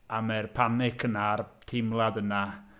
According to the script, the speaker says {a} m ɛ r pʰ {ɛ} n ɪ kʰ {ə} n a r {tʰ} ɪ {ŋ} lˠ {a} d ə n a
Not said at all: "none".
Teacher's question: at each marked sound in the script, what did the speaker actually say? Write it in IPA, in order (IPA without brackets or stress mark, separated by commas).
a, a, ə, tʰ, m, a